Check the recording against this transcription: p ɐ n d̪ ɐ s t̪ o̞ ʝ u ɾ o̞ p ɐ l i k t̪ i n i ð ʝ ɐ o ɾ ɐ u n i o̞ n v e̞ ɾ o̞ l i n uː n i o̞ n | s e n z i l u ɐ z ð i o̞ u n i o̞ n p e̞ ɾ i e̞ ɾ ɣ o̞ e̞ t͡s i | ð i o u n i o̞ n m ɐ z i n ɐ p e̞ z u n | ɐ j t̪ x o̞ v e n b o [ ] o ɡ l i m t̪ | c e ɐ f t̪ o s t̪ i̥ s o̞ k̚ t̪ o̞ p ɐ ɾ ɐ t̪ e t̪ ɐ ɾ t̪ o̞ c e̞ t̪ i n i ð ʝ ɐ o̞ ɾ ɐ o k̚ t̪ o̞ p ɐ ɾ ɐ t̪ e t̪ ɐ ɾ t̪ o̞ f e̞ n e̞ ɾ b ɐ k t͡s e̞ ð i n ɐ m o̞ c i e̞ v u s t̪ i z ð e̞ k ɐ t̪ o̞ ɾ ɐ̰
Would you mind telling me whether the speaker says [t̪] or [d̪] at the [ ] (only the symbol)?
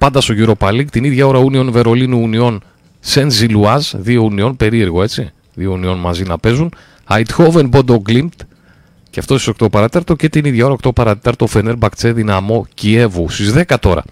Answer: d̪